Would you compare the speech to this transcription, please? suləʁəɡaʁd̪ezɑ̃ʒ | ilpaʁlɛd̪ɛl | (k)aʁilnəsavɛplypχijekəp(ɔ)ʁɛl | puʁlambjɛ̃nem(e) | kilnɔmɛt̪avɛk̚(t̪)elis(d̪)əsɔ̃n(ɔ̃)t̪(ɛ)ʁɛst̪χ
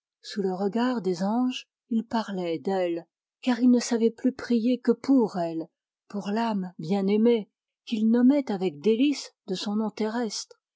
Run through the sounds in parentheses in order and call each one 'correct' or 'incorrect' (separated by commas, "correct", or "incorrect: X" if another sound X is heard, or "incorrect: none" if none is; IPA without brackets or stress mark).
correct, incorrect: u, correct, incorrect: d̪, correct, correct, incorrect: e